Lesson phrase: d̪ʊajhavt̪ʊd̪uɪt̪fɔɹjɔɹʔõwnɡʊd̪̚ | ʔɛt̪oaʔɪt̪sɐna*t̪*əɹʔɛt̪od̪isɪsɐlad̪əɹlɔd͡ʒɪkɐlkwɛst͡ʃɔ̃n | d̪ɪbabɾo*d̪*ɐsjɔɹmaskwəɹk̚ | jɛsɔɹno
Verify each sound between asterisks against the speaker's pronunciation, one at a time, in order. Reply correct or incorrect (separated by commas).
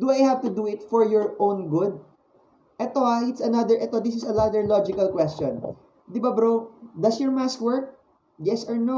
incorrect, correct